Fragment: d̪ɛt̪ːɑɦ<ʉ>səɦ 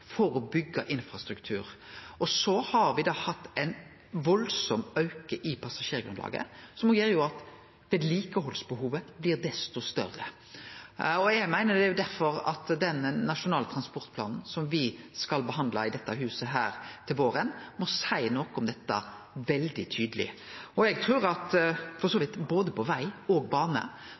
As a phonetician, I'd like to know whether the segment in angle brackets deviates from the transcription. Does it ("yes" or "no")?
yes